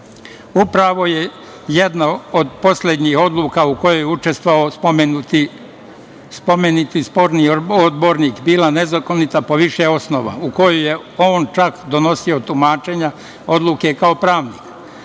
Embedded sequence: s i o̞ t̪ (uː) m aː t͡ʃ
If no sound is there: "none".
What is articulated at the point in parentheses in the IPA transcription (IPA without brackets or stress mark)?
u